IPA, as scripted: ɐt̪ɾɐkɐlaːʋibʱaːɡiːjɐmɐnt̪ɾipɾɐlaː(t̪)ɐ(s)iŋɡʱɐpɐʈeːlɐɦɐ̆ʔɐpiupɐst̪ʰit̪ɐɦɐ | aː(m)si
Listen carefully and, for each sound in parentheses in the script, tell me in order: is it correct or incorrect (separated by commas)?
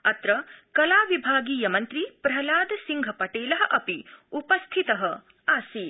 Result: incorrect, correct, incorrect